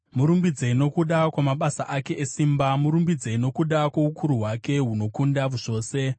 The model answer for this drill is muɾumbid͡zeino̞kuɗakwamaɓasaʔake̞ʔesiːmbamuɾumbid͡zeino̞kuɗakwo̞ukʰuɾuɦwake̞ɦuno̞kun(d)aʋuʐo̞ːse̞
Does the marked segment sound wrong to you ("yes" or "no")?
no